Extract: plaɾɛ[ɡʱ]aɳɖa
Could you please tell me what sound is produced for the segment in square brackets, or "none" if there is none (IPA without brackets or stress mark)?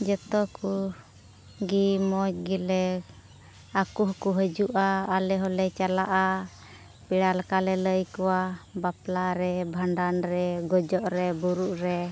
bʱ